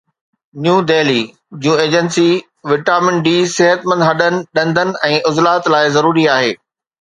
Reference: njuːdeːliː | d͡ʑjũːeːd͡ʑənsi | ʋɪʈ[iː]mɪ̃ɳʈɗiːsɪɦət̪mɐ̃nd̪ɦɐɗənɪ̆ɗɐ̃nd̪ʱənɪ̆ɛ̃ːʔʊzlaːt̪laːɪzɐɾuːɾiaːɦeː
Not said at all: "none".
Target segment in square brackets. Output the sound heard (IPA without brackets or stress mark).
aː